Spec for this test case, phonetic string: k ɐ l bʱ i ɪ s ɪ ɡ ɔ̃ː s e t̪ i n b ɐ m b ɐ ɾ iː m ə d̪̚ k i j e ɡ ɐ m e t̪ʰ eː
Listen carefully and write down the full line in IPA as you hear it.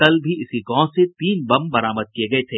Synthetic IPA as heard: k ɐ l bʱ i ɪ s i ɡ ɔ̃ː s e t̪ iː n b ɐ m b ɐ ɾ aː m ə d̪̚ k i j e ɡ ɐ e t̪ʰ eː